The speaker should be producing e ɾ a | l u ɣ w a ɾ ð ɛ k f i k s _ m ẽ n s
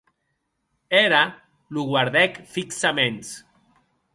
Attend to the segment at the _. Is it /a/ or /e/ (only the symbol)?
a